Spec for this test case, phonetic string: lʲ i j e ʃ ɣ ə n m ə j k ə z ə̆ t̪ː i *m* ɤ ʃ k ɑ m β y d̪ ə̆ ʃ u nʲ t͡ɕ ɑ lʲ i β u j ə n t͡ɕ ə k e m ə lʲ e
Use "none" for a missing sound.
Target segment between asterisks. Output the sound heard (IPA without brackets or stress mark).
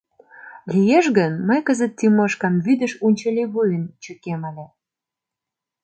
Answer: m